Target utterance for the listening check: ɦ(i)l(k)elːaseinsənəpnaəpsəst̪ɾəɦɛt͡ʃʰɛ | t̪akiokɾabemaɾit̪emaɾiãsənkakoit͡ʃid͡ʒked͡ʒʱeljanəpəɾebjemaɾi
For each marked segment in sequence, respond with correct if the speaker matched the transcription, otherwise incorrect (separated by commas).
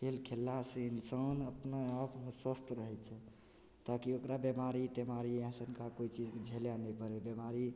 incorrect, incorrect